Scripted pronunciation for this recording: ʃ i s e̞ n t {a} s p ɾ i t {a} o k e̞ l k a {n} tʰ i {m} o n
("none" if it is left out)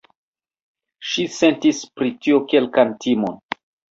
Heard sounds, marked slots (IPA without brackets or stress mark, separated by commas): i, i, n, m